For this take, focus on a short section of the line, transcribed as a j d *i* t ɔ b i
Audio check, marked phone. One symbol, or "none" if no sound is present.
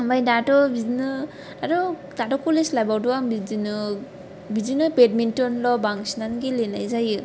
a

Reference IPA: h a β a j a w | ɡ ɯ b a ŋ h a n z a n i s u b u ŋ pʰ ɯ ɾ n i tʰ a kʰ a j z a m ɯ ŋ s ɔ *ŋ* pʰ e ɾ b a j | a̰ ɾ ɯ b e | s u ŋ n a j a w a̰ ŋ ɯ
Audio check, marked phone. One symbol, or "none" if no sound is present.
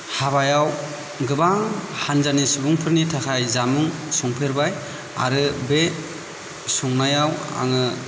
ŋ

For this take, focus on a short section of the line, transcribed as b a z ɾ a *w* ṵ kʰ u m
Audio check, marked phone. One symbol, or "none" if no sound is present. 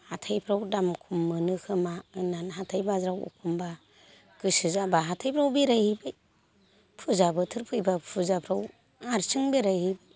w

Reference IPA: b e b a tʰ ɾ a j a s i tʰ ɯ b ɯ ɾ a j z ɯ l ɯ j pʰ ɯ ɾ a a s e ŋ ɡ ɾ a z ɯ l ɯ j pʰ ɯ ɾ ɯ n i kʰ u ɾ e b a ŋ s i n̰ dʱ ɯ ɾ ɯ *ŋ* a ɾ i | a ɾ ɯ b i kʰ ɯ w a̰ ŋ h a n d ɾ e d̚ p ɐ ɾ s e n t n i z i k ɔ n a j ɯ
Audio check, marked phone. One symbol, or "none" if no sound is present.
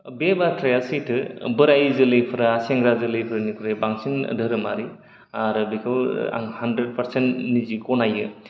m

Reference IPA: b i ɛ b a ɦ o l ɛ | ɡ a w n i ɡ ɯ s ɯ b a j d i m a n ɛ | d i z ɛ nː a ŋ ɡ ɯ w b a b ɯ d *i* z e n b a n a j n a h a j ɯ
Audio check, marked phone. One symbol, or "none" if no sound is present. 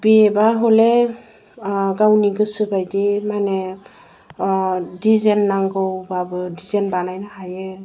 i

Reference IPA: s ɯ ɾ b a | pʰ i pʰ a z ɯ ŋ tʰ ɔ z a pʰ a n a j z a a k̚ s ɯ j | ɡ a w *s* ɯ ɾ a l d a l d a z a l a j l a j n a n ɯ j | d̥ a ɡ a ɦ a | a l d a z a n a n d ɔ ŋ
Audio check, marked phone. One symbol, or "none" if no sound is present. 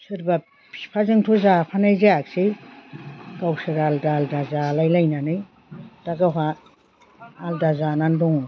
s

